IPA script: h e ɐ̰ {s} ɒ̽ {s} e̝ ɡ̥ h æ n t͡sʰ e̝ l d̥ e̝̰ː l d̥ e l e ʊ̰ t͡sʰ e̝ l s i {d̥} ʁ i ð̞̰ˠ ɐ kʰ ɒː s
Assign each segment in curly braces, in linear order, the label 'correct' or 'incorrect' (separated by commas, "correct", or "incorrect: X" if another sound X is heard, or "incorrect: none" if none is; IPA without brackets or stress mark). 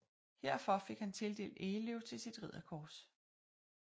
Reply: incorrect: f, incorrect: f, correct